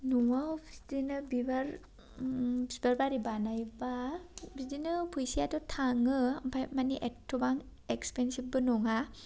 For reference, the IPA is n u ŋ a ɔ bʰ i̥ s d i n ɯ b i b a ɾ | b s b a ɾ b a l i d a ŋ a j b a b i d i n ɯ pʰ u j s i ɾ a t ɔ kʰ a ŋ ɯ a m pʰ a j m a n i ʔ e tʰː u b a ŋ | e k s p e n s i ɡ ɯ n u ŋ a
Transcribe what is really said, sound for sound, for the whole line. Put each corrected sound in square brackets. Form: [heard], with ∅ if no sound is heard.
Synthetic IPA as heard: n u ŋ a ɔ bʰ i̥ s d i n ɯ b i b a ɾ | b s b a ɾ b a [ɾ] i [b] a [n] a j b a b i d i n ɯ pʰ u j s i [∅] a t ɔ [tʰ] a ŋ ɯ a m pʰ a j m a n i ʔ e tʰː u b a ŋ | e k s p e n s i [b] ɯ n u ŋ a

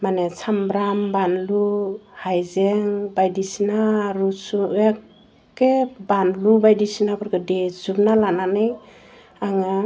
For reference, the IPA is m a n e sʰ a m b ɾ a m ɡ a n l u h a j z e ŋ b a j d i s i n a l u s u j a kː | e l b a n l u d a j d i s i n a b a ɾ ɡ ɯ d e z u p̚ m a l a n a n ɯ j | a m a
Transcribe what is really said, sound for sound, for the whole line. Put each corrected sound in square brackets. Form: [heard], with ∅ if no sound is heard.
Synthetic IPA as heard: m a n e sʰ a m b ɾ a m [b] a n l u h a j z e ŋ b a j d i s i n a [ɾ] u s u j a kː | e [∅] b a n l u [b] a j d i s i n a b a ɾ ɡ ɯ d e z u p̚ [n] a l a n a n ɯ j | a [ŋ] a

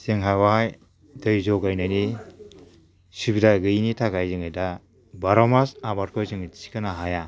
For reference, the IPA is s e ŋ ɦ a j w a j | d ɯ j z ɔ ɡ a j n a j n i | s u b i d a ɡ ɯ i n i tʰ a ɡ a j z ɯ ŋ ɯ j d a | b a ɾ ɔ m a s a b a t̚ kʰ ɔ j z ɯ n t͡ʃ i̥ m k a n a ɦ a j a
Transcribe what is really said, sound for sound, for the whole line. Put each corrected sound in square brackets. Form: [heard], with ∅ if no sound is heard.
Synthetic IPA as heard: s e ŋ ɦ a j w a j | d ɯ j z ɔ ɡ a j n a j n i | s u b i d a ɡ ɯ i n i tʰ a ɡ a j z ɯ ŋ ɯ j d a | b a ɾ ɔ m a s a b a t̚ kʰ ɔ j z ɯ [ŋ] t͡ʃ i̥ [∅] k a n a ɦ a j a

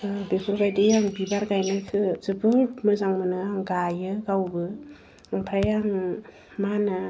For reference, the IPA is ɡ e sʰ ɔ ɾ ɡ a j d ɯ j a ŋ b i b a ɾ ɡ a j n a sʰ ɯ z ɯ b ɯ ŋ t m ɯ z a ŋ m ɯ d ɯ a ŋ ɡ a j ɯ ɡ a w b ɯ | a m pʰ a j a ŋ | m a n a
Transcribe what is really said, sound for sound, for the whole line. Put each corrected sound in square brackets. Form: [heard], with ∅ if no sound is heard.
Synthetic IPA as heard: [b] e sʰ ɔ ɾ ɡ a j d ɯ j a ŋ b i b a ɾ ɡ a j n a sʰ ɯ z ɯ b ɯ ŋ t m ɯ z a ŋ m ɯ [n] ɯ a ŋ ɡ a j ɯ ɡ a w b ɯ | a [ŋ] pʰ a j a ŋ | m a n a

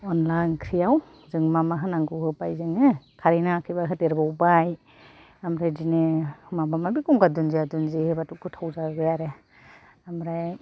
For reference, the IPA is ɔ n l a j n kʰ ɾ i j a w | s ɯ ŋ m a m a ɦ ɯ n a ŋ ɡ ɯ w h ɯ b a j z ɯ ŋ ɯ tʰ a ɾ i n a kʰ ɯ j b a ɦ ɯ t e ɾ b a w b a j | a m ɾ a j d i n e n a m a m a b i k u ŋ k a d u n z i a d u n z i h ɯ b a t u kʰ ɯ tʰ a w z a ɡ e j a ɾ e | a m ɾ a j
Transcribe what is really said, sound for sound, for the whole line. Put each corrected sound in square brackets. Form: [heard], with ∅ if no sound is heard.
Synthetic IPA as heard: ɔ n l a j n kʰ ɾ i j a w | [z] ɯ ŋ m a m a ɦ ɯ n a ŋ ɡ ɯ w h ɯ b a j z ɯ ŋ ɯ [kʰ] a ɾ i n a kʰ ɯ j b a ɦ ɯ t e ɾ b a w b a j | a m ɾ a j d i n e [m] a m a m a b i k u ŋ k a d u n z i a d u n z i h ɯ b a t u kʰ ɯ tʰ a w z a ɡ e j a ɾ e | a m ɾ a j

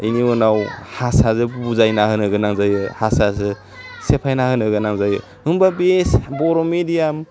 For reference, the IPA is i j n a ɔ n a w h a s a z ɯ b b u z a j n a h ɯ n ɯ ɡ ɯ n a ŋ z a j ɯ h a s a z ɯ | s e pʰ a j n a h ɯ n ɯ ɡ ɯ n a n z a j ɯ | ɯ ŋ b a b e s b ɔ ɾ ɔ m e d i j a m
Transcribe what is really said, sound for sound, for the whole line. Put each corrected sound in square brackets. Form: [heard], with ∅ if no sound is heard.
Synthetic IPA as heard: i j n [i] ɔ n a w h a s a z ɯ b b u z a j n a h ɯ n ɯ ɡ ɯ n a ŋ z a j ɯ h a s a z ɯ | s e pʰ a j n a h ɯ n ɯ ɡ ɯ n a [ŋ] z a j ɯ | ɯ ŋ b a b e s b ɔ ɾ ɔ m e d i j a m

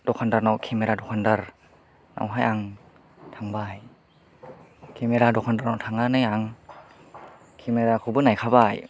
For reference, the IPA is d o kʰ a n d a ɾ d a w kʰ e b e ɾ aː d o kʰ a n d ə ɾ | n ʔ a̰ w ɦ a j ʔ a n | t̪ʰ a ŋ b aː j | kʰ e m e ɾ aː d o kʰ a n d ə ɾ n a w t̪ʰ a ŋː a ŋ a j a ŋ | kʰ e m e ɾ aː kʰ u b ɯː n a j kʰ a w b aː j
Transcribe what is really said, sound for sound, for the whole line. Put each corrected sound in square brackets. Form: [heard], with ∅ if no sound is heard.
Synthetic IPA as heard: d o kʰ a n d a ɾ [n] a w kʰ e [m] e ɾ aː d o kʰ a n d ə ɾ | n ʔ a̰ w ɦ a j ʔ a [ŋ] | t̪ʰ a ŋ b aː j | kʰ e m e ɾ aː d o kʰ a n d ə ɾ n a w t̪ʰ a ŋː a [n] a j a ŋ | kʰ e m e ɾ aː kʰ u b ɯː n a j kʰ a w b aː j

